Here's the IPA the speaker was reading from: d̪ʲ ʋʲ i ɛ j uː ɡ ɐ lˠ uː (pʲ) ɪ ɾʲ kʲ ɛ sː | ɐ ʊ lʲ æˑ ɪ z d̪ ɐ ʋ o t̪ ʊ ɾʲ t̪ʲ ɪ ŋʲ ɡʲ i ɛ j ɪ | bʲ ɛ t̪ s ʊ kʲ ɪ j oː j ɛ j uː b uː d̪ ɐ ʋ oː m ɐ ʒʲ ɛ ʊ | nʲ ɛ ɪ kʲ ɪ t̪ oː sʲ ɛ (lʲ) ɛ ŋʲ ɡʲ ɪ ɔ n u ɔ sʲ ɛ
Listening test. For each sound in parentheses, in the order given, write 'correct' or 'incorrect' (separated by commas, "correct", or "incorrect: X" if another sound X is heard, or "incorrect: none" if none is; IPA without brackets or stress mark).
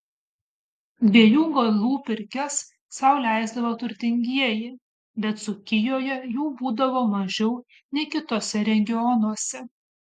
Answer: correct, incorrect: ɾʲ